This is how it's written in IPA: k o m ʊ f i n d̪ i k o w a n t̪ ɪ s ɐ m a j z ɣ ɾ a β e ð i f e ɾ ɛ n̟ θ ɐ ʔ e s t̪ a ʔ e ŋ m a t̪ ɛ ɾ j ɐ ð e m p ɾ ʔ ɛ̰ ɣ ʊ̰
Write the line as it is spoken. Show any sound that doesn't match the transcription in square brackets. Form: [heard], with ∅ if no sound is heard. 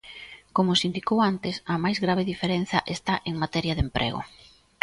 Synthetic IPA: k o m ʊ [s] i n d̪ i k o w a n t̪ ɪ s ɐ m a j z ɣ ɾ a β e ð i f e ɾ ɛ n̟ θ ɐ ʔ e s t̪ a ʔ e ŋ m a t̪ ɛ ɾ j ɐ ð e m p ɾ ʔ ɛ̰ ɣ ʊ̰